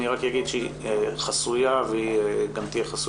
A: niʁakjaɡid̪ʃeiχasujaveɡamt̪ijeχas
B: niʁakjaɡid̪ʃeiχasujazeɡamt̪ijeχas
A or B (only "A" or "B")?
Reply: A